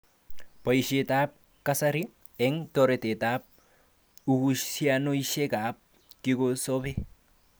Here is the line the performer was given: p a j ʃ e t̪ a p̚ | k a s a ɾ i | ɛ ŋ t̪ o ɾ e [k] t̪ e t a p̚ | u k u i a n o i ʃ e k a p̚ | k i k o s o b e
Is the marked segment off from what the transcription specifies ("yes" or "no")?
yes